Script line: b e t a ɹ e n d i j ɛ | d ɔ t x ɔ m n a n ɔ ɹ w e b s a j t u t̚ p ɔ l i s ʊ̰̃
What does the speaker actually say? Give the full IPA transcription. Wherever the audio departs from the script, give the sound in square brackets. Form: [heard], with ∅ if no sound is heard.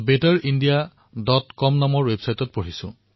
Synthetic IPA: b e t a ɹ [i] n d i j [a] | d ɔ t [k] ɔ m n a [m] ɔ ɹ w e b s a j t [ɔ] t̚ p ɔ [ɹ] i s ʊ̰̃